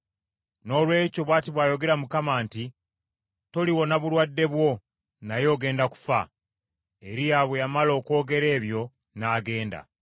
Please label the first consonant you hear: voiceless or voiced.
voiced